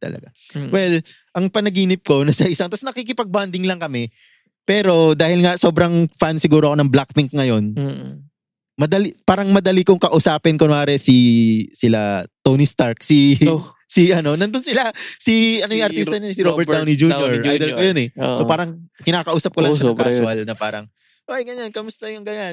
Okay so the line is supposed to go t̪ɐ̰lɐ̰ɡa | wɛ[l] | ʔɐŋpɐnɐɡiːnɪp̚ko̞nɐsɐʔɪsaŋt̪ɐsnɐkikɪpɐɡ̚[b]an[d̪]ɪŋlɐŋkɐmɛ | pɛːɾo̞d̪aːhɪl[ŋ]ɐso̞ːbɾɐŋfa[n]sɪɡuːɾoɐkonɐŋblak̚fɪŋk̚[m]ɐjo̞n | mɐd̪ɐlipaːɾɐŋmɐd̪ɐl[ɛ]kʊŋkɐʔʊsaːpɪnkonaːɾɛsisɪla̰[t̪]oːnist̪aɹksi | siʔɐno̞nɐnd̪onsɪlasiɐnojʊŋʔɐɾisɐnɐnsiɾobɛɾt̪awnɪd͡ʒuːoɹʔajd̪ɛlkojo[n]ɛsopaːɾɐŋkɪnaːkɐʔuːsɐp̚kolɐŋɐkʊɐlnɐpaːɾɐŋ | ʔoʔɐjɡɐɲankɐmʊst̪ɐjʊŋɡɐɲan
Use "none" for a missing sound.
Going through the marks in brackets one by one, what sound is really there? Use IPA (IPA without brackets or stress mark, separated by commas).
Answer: l, b, d̪, ŋ, n, ŋ, i, t̪, n